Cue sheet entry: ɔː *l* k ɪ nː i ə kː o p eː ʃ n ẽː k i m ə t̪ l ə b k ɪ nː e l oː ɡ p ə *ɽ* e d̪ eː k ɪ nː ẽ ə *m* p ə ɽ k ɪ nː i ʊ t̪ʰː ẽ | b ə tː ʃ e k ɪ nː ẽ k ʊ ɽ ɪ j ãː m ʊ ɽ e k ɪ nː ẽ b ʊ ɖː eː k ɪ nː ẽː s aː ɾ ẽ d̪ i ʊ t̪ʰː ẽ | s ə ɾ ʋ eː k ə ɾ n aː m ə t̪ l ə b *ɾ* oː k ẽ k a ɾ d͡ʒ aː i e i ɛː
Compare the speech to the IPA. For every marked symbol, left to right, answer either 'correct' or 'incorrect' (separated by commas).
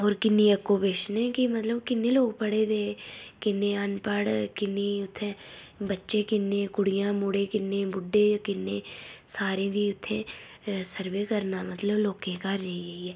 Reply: incorrect, correct, incorrect, incorrect